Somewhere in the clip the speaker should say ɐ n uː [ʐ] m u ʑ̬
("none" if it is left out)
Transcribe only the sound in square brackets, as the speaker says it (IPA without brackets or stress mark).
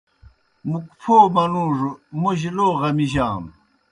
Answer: ʐ